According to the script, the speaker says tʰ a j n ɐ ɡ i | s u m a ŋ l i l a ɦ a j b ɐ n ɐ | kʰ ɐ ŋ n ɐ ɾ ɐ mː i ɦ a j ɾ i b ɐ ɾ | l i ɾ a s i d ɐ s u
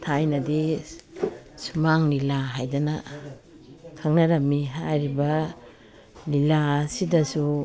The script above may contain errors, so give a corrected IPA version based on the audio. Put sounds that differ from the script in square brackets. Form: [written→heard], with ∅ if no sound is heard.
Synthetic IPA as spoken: tʰ a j n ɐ [ɡ→d] i | s u m a ŋ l i l a ɦ a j [b→d] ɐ n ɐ | kʰ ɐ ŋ n ɐ ɾ ɐ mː i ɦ a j ɾ i b ɐ [ɾ→∅] | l i [ɾ→l] a s i d ɐ s u